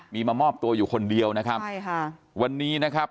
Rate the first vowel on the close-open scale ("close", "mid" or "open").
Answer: close